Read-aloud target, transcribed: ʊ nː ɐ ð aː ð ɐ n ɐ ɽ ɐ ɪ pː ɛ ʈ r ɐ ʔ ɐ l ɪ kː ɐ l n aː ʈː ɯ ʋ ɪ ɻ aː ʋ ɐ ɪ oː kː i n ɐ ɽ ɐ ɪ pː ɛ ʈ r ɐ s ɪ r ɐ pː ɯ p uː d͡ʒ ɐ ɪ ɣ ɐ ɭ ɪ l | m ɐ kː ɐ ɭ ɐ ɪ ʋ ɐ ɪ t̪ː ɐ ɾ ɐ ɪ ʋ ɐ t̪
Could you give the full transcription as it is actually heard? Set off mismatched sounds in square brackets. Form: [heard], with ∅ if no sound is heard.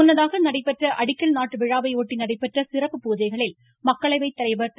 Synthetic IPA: ʊ nː ɐ ð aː [ɣ] ɐ n ɐ ɽ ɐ ɪ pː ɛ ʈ r ɐ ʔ ɐ [ɽ] ɪ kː ɐ l n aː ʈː ɯ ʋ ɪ ɻ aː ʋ ɐ ɪ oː [ʈː] i n ɐ ɽ ɐ ɪ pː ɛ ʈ r ɐ s ɪ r ɐ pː ɯ p uː d͡ʒ ɐ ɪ ɣ ɐ ɭ ɪ l | m ɐ kː ɐ ɭ ɐ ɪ ʋ ɐ ɪ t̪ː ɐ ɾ ɐ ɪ ʋ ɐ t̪